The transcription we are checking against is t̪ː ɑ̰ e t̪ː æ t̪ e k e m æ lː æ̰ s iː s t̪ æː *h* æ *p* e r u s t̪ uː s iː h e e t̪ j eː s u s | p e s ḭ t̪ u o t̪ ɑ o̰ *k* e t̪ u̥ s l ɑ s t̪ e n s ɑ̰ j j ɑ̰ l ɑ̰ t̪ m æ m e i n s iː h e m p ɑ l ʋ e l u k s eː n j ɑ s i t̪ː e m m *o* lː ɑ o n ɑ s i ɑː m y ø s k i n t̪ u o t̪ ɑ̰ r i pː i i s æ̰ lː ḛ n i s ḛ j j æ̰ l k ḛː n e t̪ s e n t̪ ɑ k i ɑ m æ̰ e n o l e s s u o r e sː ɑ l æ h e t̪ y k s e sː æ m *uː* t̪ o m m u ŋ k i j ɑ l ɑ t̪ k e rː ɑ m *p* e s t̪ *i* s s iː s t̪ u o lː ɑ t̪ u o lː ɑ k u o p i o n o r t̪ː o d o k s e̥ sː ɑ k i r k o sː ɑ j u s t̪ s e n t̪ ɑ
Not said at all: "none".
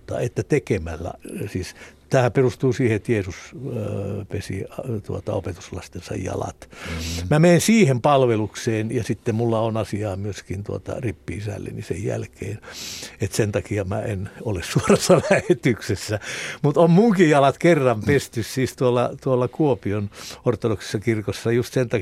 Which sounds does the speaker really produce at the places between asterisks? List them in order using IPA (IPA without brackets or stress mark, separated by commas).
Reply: h, p, p, u, u, p, y